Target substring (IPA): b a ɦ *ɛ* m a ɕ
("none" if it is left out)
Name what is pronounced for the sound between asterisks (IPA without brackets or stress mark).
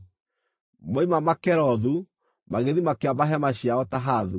ɛ